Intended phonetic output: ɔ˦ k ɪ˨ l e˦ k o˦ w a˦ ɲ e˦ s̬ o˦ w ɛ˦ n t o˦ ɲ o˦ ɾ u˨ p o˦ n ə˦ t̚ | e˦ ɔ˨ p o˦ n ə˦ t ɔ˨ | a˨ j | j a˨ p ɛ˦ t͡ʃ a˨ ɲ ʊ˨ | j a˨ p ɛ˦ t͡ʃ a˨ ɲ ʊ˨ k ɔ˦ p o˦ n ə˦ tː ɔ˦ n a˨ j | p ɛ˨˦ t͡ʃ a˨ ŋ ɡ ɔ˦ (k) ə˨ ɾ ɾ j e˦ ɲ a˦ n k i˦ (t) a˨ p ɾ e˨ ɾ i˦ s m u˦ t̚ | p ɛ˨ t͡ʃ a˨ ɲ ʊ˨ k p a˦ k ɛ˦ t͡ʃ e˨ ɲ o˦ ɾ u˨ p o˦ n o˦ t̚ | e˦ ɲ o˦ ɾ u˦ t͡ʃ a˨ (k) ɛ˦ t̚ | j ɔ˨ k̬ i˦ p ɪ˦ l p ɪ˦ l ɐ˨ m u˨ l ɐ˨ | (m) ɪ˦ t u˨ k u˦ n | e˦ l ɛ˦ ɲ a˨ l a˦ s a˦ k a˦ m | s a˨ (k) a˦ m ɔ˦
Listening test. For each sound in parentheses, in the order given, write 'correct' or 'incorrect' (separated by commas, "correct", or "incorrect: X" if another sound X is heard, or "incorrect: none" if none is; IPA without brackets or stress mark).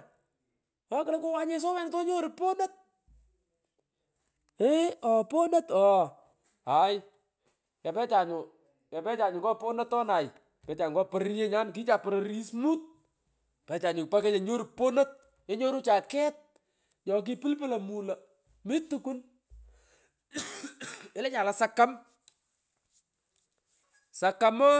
incorrect: p, incorrect: t͡ʃ, correct, correct, correct